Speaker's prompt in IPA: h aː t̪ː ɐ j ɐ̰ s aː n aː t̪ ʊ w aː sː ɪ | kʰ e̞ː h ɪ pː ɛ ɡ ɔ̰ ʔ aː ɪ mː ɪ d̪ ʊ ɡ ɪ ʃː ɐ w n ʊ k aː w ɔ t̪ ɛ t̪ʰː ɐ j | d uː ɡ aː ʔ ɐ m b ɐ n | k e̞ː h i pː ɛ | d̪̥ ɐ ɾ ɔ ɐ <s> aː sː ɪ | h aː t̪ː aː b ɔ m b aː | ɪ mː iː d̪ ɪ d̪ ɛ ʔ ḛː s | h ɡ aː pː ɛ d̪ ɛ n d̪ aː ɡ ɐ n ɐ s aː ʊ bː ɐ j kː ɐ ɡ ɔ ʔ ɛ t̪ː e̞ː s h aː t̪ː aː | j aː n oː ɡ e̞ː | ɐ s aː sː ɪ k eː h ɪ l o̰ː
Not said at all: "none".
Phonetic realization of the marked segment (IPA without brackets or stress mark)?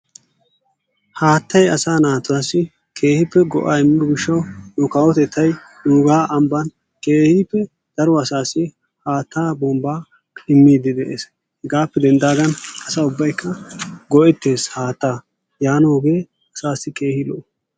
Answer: s